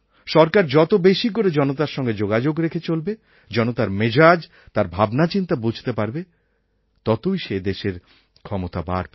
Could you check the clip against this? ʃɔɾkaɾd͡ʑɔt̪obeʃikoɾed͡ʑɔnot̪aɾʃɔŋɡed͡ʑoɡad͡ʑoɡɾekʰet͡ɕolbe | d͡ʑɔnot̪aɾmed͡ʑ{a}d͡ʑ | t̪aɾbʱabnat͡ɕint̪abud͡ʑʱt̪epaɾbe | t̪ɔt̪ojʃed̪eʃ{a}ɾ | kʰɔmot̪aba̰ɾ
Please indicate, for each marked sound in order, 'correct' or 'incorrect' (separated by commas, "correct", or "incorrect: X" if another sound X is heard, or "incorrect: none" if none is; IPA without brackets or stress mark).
correct, incorrect: e